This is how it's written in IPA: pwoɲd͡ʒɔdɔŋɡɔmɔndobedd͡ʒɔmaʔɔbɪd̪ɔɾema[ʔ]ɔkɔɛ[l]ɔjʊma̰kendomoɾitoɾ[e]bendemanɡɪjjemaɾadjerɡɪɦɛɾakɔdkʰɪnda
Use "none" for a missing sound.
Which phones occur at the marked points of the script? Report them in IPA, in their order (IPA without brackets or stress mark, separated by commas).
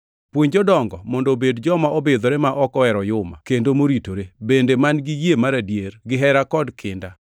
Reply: ʔ, ɾ, e